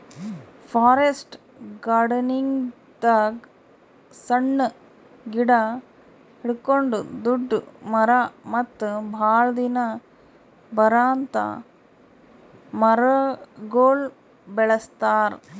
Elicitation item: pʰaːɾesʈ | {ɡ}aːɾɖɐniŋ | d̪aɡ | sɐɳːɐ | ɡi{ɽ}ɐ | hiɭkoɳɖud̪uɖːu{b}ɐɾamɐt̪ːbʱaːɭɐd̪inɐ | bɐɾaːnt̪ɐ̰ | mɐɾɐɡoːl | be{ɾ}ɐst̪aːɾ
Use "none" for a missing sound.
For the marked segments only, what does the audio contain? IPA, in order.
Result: ɡ, ɽ, m, ɭ

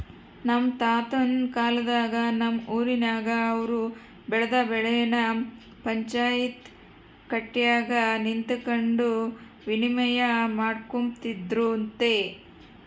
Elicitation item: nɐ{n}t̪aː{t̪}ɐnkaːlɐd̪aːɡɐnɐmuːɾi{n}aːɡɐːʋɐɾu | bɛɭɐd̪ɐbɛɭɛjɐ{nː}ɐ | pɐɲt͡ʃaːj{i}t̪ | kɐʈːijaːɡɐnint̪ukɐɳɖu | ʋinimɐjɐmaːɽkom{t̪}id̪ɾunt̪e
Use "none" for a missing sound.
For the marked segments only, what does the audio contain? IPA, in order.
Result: m, t̪, n, n, i, t̪

